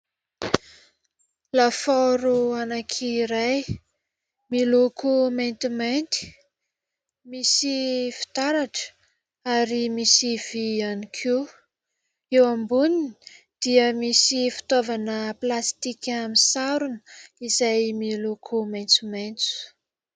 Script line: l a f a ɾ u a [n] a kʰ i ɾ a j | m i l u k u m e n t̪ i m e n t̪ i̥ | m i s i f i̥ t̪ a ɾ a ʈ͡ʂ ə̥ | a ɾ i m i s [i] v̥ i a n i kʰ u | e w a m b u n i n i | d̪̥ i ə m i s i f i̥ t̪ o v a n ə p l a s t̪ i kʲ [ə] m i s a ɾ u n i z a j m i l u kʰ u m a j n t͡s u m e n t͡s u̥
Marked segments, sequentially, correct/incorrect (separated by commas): correct, correct, incorrect